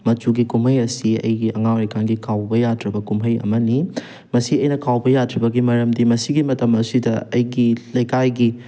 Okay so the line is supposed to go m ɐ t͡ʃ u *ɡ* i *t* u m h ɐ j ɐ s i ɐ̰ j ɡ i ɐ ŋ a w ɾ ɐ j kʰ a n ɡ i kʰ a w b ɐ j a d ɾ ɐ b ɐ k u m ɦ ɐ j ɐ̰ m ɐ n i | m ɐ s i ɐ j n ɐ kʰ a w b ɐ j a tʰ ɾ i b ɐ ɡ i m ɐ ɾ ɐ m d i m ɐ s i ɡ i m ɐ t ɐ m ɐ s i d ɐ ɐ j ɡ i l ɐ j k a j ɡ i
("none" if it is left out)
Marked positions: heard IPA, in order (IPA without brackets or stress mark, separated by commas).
ɡ, k